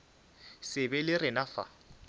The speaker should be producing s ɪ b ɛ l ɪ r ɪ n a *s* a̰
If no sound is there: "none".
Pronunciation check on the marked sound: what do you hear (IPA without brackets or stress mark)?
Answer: f